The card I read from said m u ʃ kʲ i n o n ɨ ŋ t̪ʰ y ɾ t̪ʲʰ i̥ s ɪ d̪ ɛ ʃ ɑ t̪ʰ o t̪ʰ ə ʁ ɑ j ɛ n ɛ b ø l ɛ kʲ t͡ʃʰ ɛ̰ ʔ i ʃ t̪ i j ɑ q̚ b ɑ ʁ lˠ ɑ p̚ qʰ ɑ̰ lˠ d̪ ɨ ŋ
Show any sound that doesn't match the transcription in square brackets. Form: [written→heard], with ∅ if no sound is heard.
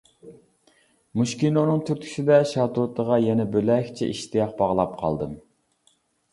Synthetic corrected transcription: m u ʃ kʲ i n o n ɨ ŋ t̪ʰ y ɾ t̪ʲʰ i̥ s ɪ d̪ ɛ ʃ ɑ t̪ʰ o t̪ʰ ə ʁ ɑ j ɛ n ɛ b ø l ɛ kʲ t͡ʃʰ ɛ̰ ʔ i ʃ t̪ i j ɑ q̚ b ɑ ʁ lˠ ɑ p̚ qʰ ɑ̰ lˠ d̪ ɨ [ŋ→m]